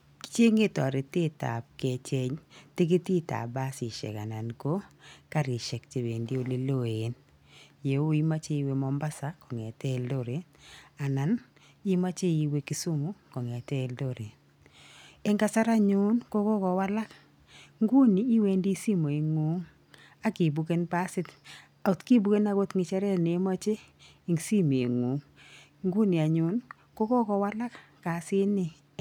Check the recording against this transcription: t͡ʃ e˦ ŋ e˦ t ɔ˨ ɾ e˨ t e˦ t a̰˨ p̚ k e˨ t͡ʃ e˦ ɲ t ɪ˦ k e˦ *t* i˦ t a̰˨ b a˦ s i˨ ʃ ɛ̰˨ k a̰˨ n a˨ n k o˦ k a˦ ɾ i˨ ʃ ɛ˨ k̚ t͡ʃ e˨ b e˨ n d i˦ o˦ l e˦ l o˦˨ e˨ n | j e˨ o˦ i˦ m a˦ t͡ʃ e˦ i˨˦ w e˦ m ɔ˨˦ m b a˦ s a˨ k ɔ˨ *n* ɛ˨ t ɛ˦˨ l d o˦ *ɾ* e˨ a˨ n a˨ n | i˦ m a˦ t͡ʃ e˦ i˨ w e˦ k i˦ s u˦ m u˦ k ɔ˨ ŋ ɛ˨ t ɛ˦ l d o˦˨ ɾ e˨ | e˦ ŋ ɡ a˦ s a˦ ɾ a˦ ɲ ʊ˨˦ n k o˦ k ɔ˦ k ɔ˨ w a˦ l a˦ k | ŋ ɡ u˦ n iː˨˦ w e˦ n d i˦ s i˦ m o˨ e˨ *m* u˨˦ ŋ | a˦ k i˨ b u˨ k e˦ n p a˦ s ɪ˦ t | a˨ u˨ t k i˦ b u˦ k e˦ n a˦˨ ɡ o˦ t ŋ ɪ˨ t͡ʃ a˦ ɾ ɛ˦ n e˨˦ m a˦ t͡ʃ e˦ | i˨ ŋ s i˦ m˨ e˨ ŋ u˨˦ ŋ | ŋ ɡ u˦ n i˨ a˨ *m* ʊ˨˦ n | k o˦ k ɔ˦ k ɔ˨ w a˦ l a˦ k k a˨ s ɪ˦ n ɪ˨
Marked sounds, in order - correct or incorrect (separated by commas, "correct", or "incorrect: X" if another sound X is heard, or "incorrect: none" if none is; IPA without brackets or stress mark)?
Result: correct, incorrect: ŋ, correct, incorrect: ŋ, incorrect: ɲ